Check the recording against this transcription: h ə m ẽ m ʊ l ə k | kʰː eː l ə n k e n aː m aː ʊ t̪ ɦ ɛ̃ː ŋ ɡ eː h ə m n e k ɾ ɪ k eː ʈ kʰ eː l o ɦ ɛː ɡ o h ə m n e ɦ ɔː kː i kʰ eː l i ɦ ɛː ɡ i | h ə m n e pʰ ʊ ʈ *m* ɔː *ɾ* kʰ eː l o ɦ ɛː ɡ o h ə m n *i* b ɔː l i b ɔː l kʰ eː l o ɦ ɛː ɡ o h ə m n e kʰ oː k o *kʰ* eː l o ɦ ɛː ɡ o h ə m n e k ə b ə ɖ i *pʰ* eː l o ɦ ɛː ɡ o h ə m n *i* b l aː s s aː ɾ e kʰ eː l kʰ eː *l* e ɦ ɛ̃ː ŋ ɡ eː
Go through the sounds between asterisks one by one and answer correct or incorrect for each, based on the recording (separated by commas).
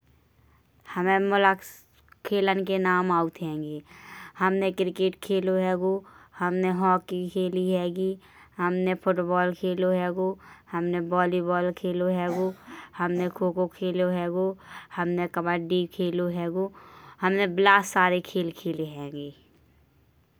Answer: incorrect, incorrect, incorrect, correct, incorrect, incorrect, correct